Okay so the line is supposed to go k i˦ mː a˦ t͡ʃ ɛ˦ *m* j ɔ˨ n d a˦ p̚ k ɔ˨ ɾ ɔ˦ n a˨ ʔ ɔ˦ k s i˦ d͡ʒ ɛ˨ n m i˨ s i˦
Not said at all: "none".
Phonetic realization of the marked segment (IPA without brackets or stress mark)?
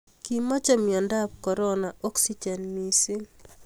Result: m